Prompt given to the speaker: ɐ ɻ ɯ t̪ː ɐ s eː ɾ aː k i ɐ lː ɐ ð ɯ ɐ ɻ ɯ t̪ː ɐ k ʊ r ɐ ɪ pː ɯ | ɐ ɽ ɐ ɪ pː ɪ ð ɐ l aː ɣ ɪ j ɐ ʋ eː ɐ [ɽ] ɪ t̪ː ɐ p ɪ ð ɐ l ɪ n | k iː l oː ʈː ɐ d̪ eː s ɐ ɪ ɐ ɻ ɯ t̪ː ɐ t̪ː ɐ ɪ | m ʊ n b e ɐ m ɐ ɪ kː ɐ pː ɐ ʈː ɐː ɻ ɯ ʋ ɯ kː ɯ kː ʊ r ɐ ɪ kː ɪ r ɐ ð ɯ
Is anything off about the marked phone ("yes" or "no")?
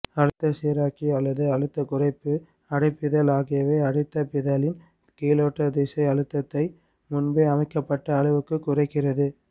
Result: no